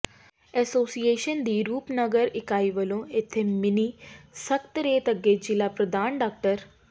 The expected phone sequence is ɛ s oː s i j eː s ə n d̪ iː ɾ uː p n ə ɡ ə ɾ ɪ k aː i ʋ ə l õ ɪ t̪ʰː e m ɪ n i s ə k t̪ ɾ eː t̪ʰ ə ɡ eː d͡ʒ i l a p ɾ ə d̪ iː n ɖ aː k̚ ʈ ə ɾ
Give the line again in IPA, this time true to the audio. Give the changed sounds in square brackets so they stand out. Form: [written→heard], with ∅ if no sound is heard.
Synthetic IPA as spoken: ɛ s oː s i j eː [s→ʃ] ə n d̪ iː ɾ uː p n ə ɡ ə ɾ ɪ k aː i ʋ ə l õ ɪ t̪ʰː e m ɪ n i s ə k t̪ ɾ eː [t̪ʰ→t̪] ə ɡ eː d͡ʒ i l a p ɾ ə d̪ [iː→aː] n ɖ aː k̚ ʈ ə ɾ